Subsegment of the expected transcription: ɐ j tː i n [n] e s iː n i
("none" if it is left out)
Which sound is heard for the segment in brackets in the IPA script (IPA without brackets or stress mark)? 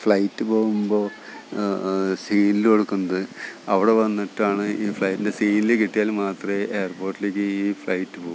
d